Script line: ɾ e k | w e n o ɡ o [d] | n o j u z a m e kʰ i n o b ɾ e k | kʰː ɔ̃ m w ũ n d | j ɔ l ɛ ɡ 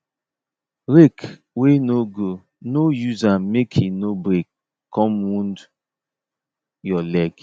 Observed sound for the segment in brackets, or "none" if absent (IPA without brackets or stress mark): none